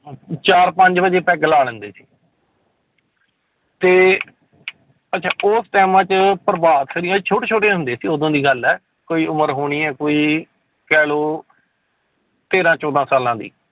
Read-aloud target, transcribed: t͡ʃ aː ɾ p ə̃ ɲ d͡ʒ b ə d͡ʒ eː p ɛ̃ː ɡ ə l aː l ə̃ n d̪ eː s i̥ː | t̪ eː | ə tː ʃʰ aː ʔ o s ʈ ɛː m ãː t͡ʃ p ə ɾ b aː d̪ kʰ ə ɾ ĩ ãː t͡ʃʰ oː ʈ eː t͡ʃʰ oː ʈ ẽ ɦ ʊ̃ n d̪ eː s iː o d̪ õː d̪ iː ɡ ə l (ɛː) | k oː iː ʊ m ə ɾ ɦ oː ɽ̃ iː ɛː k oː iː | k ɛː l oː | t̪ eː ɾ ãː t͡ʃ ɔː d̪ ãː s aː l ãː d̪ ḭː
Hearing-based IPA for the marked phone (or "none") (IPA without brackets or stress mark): ɛː